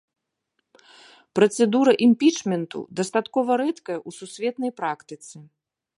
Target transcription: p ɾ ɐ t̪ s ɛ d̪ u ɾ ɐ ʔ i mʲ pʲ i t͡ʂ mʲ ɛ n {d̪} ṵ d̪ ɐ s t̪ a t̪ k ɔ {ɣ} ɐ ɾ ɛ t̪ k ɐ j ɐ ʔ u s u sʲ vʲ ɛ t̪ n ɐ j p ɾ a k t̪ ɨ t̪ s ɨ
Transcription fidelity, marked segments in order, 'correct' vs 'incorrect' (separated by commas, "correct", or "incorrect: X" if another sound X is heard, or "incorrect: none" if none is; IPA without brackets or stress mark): incorrect: t̪, incorrect: v